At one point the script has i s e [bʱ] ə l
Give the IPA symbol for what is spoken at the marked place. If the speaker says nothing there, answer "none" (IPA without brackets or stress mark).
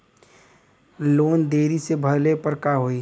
bʱ